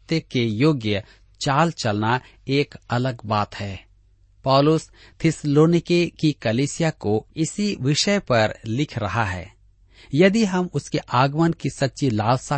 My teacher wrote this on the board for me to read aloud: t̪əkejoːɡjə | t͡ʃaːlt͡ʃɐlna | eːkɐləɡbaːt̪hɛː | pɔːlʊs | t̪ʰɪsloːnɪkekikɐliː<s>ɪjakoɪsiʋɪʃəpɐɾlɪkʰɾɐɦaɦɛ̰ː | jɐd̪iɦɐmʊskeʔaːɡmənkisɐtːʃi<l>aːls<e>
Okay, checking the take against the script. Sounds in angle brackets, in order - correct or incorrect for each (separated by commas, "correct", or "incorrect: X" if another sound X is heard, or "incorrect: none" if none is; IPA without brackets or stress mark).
correct, correct, incorrect: a